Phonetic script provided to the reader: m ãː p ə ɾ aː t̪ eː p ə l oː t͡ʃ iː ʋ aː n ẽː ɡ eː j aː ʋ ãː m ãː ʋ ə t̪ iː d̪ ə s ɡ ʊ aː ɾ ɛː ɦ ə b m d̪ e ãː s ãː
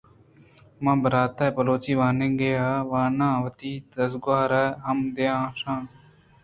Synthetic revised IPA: m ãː b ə ɾ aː t̪ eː p ə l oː t͡ʃ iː ʋ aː n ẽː ɡ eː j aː ʋ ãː n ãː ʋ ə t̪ iː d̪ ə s ɡ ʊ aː ɾ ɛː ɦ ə m d̪ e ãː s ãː